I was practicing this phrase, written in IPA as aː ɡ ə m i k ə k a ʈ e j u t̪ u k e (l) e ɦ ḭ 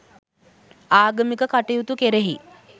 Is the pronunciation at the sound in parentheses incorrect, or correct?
incorrect